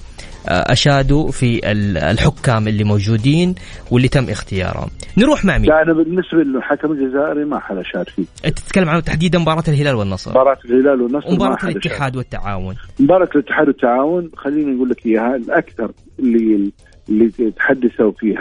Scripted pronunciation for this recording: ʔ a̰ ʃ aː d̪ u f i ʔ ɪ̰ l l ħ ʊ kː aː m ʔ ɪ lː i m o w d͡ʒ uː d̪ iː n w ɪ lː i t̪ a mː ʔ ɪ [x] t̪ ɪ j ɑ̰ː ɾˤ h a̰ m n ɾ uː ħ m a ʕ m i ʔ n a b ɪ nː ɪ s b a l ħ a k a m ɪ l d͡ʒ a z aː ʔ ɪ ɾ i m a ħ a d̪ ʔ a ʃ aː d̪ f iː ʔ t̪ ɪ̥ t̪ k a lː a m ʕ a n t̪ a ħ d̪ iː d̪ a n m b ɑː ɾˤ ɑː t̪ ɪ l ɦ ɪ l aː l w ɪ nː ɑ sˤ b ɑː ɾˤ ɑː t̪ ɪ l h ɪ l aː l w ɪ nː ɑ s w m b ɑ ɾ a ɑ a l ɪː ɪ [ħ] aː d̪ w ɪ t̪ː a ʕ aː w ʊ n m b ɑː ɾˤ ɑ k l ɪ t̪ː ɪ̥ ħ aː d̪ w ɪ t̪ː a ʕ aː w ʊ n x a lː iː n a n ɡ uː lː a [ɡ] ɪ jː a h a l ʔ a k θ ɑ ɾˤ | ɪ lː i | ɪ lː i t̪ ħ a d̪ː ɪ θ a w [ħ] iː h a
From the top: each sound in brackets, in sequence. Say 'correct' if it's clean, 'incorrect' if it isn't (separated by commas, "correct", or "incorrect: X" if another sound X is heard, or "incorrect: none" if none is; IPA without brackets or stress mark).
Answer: correct, correct, incorrect: k, incorrect: f